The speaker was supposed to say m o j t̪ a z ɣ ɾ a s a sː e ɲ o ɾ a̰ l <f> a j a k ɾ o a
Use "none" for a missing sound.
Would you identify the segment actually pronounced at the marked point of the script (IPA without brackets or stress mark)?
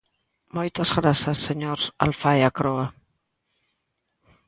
f